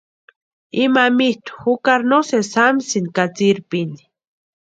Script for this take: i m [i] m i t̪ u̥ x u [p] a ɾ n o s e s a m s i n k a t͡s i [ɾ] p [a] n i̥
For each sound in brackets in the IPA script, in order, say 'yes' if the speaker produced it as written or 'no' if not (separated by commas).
no, no, yes, no